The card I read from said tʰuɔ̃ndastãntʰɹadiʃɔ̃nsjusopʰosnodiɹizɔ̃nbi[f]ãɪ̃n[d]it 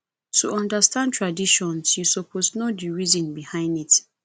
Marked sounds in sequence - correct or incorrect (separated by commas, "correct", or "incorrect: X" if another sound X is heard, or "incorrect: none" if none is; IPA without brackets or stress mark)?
incorrect: h, correct